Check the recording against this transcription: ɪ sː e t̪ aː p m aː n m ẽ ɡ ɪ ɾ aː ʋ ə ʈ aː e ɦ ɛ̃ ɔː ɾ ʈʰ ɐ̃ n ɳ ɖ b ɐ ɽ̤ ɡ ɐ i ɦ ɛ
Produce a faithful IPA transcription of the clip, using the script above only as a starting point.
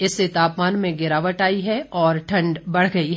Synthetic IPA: ɪ sː e t̪ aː p m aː n m ẽ ɡ ɪ ɾ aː ʋ ə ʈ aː i ɦ ɛ ɔː ɾ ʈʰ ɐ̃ ɳ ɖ b ɐ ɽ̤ ɡ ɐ i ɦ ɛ